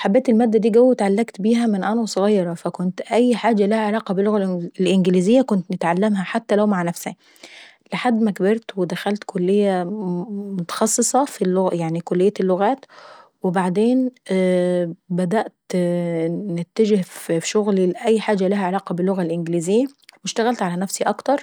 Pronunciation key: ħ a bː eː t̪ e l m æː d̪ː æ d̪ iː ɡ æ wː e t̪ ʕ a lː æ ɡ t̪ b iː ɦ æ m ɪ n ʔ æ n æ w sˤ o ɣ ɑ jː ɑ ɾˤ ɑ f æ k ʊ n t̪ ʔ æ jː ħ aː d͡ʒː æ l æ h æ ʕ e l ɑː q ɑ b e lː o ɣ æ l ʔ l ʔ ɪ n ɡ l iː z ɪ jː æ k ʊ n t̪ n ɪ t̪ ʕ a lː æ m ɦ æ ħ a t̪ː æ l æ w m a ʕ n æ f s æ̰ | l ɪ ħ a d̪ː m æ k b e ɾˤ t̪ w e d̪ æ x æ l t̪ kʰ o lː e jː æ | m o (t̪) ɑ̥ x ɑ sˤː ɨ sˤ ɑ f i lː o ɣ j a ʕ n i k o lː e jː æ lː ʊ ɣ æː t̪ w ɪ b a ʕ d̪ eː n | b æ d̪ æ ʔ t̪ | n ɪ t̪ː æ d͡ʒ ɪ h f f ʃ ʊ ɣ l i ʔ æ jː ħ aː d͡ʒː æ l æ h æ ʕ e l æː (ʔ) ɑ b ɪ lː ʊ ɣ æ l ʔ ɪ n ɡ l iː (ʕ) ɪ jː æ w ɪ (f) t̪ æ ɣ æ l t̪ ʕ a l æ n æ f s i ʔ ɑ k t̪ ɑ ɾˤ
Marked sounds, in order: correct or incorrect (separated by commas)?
correct, incorrect, incorrect, incorrect